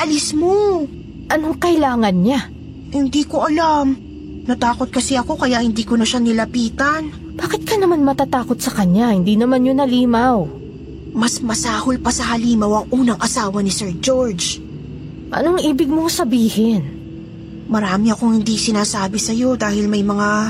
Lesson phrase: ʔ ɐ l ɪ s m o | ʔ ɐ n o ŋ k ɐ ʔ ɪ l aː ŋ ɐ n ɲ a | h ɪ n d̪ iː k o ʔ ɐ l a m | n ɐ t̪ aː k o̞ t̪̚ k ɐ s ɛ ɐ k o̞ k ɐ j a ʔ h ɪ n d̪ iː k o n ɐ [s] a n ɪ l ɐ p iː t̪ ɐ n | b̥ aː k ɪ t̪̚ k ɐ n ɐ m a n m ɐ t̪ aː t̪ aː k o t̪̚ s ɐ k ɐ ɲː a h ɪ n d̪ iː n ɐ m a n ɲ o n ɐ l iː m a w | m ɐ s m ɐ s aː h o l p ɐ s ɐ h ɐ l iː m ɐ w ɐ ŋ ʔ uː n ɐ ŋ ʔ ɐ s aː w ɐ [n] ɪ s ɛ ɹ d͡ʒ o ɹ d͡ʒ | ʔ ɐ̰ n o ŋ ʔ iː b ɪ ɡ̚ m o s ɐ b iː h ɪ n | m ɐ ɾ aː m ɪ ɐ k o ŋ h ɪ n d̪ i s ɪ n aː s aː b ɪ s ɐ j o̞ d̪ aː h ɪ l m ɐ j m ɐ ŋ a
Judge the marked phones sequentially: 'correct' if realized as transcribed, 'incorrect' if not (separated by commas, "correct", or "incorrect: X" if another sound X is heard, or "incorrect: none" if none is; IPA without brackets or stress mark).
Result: incorrect: ʃ, correct